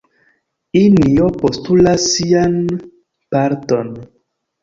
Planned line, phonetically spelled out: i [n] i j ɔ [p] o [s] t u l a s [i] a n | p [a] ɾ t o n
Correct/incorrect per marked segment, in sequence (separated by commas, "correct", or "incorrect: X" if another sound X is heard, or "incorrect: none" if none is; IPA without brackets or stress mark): correct, correct, correct, correct, correct